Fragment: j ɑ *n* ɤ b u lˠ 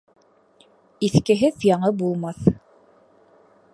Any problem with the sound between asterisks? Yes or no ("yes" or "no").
yes